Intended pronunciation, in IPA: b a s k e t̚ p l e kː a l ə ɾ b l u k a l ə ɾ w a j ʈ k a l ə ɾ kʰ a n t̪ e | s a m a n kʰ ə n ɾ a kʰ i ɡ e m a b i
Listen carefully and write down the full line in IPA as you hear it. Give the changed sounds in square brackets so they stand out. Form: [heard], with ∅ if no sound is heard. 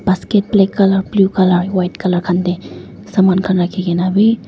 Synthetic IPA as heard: b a s k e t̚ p l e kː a l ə ɾ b l u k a l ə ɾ w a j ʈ k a l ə ɾ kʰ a n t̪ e | s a m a n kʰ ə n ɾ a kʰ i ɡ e [n] a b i